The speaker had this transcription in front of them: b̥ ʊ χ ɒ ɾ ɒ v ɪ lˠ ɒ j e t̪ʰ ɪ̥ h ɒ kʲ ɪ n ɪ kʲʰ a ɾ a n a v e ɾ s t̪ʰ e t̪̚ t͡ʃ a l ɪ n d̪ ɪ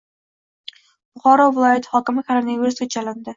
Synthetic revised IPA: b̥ ʊ χ ɒ ɾ ɒ v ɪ lˠ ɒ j a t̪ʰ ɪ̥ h ɒ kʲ ɪ m ɪ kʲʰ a ɾ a n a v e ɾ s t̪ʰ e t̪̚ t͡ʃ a l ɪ n d̪ ɪ